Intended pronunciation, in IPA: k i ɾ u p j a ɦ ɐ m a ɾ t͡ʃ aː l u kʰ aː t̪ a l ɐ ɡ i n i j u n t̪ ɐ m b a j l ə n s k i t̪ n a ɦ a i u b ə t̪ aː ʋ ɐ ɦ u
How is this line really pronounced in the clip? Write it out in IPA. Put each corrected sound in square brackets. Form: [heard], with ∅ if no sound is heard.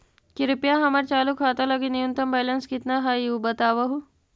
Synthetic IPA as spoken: k i ɾ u p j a ɦ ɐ m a ɾ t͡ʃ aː l u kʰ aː t̪ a l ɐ ɡ i n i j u n t̪ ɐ m b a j l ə n s k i t̪ n a ɦ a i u b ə t̪ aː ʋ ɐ ɦ u